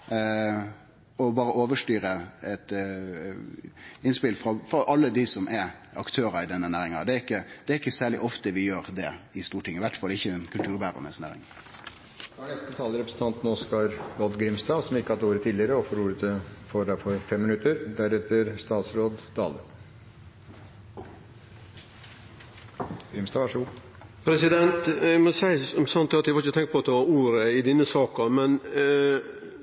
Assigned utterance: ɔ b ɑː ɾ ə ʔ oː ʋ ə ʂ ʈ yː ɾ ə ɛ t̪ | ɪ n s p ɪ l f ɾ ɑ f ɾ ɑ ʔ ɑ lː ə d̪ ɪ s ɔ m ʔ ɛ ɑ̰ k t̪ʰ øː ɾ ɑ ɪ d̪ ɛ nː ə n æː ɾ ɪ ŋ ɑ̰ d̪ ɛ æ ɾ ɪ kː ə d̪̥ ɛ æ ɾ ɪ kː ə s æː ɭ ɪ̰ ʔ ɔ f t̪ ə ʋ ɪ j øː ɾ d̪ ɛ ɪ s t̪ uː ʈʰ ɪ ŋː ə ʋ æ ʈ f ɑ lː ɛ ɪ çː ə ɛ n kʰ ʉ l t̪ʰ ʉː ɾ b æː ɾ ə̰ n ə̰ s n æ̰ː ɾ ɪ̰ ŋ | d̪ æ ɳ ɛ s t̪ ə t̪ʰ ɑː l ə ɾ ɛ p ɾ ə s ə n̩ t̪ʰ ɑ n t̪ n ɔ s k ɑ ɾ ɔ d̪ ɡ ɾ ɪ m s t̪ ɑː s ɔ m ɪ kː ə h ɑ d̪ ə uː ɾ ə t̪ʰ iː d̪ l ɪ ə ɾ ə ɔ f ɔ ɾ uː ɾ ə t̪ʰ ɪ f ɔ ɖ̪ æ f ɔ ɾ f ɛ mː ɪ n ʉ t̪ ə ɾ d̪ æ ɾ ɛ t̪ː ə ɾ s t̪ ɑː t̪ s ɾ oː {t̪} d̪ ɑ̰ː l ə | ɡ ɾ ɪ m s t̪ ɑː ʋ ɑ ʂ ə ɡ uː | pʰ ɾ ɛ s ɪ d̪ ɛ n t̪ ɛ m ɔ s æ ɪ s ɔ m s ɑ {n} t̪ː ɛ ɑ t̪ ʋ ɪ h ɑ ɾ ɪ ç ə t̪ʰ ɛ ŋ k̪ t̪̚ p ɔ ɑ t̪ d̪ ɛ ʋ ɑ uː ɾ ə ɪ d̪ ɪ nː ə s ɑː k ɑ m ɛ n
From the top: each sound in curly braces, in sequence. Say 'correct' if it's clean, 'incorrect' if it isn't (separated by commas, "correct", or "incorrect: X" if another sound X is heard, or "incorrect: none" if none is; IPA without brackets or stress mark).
incorrect: d̪, correct